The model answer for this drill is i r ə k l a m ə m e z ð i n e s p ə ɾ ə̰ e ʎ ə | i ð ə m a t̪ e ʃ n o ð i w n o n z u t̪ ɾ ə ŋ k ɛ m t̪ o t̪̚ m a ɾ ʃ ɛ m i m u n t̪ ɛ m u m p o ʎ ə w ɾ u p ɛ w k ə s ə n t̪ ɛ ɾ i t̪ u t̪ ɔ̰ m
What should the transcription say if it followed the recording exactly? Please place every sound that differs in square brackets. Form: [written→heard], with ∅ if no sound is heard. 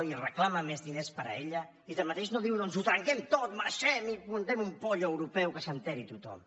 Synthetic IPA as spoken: i r ə k l a m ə m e z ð i n e s p ə ɾ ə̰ e ʎ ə | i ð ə m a t̪ e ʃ n o ð i w n o n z u t̪ ɾ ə ŋ k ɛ m t̪ o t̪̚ m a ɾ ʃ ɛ m i m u n t̪ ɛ m u m p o ʎ ə w ɾ u p ɛ w k ə s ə n t̪ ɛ ɾ i t̪ u t̪ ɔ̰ m